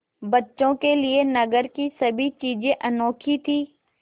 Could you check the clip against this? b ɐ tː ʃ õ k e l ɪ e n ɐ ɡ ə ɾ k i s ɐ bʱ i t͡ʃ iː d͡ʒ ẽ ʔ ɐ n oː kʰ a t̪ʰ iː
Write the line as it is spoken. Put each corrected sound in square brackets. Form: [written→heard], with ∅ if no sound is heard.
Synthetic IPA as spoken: b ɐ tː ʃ õ k e l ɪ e n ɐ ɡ ə ɾ k i s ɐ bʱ i t͡ʃ iː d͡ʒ ẽ ʔ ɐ n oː kʰ [a→i] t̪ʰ iː